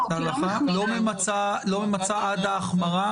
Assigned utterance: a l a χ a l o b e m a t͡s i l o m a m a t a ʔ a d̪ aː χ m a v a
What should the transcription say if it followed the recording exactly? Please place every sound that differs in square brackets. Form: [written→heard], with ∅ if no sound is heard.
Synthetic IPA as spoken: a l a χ a l o [b→m] e m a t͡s [i→a] l o m [a→e] m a [t→t͡s] a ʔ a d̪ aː χ m a [v→ʁ] a

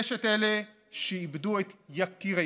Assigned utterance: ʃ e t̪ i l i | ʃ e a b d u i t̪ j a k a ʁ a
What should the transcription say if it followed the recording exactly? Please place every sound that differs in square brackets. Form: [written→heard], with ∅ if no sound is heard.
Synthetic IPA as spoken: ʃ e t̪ [i→e] l [i→e] | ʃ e [a→i] b d u [i→e] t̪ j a k [a→i] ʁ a

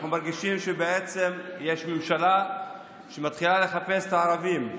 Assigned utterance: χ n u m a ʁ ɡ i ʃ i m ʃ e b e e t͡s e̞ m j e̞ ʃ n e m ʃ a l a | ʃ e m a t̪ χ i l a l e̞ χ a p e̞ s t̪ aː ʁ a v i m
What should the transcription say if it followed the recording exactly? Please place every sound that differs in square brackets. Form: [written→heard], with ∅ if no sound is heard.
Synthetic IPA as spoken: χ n u m a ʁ ɡ i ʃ i m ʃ e b e e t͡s e̞ m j e̞ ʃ [n→m] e m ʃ a l a | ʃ e m a t̪ χ i l a l e̞ χ a p e̞ s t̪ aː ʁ a v i m

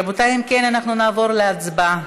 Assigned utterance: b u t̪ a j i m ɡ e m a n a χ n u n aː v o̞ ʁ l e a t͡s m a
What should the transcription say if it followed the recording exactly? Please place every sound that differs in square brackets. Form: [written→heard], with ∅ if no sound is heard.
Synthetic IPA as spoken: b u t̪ a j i m [ɡ→k] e [m→n] a n a χ n u n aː v o̞ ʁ l e a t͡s [m→b] a

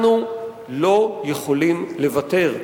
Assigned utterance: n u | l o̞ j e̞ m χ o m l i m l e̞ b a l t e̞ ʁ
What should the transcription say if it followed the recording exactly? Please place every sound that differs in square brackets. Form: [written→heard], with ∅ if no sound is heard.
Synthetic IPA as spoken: n u | l o̞ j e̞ [m→∅] χ o [m→∅] l i m l e̞ [b→v] a [l→∅] t e̞ ʁ

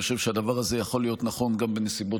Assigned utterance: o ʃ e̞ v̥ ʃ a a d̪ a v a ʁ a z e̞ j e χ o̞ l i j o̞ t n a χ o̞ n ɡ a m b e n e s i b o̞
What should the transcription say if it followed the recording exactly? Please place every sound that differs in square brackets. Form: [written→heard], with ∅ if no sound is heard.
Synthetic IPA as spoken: o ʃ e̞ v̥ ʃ [a→e] a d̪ a v a ʁ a z e̞ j [e→a] χ o̞ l i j o̞ t n a χ o̞ n ɡ a m b e n e s i b o̞

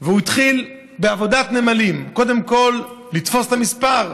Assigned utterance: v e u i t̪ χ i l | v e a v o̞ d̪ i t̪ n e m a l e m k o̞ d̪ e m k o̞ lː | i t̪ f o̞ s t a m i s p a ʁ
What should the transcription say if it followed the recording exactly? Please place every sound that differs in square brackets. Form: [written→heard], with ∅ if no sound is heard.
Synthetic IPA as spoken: v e u i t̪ χ i l | [v→b] e a v o̞ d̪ [i→a] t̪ n e m a l [e→i] m k o̞ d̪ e m k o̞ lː | i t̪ f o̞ s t a m i s p a ʁ

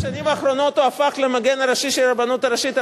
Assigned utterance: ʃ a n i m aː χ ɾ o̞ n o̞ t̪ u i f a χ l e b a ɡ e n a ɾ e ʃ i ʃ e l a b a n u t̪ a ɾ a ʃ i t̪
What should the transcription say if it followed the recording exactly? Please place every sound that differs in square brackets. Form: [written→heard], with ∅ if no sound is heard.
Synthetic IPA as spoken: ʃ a n i m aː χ ɾ o̞ n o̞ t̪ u [i→a] f a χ l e [b→m] a ɡ e n a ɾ [e→a] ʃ i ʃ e l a b a n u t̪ a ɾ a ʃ i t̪

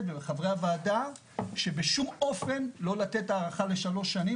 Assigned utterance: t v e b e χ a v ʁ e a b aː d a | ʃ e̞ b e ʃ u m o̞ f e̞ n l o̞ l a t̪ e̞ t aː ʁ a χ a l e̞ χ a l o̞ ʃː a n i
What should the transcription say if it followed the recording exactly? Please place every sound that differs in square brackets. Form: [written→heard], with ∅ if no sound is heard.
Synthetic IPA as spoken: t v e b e χ a v ʁ e a [b→v] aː d a | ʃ e̞ b e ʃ u m o̞ f e̞ n l o̞ l a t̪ e̞ t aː ʁ a χ a l e̞ [χ→ʃ] a l o̞ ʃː a n i

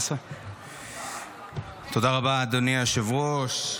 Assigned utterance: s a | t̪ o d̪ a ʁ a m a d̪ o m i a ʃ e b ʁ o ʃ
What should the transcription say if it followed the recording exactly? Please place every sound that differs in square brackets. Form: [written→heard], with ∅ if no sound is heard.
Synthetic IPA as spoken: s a | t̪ o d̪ a ʁ a [m→b] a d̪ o [m→n] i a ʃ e [b→v] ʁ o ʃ

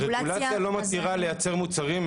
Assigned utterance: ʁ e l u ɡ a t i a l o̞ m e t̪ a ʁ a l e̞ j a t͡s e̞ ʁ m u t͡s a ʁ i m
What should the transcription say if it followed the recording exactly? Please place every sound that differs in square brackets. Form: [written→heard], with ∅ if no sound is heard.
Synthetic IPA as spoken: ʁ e l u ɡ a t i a l o̞ m [e→a] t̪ [a→i] ʁ a l e̞ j a t͡s e̞ ʁ m u t͡s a ʁ i m

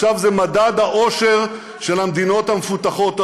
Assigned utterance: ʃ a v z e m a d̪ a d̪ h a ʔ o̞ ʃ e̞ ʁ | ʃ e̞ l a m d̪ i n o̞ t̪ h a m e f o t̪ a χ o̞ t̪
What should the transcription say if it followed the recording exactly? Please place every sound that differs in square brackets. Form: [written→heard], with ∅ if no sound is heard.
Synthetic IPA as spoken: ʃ a v z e m a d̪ a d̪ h a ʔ o̞ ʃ e̞ ʁ | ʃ e̞ l a m d̪ i n o̞ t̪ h a m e f [o→u] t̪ a χ o̞ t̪

